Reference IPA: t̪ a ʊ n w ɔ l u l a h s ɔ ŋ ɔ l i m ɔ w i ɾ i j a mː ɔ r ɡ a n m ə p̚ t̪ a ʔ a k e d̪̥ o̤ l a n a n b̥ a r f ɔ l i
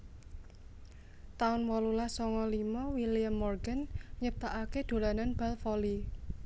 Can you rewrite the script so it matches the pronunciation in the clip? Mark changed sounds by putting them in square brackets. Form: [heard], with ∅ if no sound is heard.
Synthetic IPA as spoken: t̪ a ʊ n w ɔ l u l a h s ɔ ŋ ɔ l i m ɔ w i [l] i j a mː ɔ r ɡ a n [ɲ] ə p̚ t̪ a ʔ a k e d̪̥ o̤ l a n a n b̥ a [l] f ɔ l i